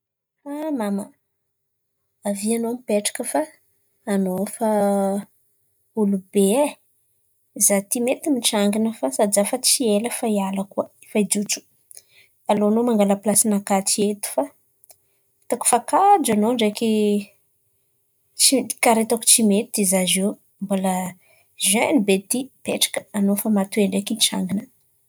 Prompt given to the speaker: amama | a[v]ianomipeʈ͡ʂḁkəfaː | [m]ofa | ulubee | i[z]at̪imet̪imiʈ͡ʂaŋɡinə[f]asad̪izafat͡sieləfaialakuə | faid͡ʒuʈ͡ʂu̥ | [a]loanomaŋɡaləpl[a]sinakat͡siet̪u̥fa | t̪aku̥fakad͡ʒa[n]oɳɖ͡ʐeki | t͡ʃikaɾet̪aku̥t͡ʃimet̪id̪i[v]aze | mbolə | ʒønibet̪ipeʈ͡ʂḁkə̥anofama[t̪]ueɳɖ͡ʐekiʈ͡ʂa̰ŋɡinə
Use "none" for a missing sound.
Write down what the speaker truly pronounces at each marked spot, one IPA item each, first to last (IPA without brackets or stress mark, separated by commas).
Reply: v, n, z, f, a, a, n, z, t̪